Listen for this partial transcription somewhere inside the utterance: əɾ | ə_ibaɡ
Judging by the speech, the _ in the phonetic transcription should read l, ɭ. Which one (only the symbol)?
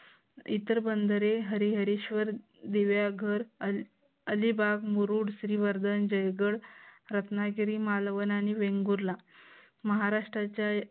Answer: l